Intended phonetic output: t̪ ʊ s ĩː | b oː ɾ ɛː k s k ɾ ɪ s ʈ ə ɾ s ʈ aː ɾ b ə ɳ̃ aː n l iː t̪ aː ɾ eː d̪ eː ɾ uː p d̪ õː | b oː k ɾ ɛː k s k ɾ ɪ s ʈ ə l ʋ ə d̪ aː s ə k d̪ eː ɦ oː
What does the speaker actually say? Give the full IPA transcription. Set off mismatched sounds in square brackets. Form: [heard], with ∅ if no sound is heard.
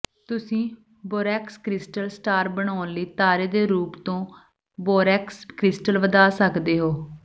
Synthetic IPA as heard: t̪ ʊ s ĩː | b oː ɾ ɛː k s k ɾ ɪ s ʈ ə [l] s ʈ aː ɾ b ə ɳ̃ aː n l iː t̪ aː ɾ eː d̪ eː ɾ uː p [t̪] õː | b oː [∅] ɾ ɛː k s k ɾ ɪ s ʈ ə l ʋ ə d̪ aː s ə k d̪ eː ɦ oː